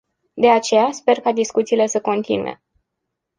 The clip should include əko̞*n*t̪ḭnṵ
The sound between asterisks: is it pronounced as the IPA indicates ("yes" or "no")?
yes